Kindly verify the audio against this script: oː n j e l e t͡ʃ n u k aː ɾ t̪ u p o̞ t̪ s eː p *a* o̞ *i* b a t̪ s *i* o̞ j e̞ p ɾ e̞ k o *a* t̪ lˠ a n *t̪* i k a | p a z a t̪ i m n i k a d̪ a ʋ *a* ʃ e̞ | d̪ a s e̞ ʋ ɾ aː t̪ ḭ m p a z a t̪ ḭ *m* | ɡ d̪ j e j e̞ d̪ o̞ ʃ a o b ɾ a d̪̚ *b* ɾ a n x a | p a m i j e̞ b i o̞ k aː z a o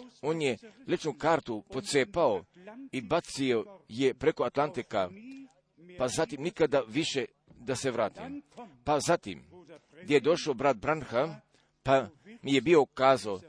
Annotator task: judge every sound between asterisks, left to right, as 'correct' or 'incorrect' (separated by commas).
correct, correct, correct, correct, correct, incorrect, correct, correct